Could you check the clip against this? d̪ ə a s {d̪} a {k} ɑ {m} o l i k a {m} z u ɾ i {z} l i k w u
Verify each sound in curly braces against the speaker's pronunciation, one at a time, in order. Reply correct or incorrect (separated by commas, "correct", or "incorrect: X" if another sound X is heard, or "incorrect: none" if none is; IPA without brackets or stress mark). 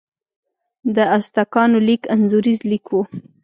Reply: incorrect: t̪, correct, incorrect: n, incorrect: n, correct